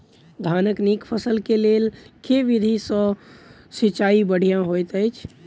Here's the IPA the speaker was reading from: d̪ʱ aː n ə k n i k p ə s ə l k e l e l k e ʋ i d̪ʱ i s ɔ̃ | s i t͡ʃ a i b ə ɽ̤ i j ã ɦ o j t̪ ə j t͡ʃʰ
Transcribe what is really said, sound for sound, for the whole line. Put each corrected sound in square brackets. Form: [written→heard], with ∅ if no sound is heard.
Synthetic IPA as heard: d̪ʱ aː n ə k n i k [p→pʰ] ə s ə l k e l e l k e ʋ i d̪ʱ i s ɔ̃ | s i t͡ʃ a i b ə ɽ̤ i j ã ɦ o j t̪ ə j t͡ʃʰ